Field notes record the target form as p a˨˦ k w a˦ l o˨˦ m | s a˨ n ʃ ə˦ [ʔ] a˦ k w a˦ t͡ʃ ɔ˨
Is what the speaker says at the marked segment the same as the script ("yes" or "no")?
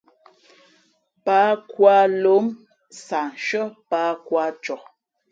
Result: no